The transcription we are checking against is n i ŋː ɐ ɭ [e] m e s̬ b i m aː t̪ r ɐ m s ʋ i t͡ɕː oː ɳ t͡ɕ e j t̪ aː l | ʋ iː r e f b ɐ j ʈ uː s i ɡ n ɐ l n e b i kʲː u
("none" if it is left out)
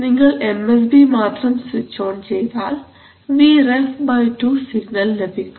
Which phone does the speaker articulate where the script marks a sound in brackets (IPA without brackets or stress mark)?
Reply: e